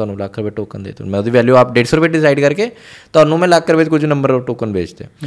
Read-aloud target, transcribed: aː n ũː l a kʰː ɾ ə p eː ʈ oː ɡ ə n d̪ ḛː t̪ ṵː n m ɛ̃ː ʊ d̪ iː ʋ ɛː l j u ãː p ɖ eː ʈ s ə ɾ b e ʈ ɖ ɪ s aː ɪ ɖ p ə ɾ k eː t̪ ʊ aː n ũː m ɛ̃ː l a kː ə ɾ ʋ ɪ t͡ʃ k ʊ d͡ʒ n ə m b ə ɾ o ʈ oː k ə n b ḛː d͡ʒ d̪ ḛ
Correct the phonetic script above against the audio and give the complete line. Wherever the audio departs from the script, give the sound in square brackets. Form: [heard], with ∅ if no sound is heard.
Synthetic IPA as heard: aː n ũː l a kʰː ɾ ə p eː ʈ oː [k] ə n d̪ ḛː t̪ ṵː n m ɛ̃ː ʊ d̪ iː ʋ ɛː l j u [aː] p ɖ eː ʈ s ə ɾ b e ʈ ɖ ɪ s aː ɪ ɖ [k] ə ɾ k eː t̪ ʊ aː n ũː m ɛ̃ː l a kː ə ɾ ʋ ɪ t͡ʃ k ʊ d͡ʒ n ə m b ə ɾ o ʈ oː k ə n b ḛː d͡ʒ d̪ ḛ